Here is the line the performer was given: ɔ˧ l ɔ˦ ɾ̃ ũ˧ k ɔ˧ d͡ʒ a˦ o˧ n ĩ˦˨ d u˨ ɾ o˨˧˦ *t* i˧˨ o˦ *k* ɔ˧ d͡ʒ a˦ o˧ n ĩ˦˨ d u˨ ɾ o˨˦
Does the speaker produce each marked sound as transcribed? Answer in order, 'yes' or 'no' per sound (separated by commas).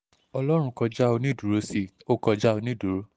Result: no, yes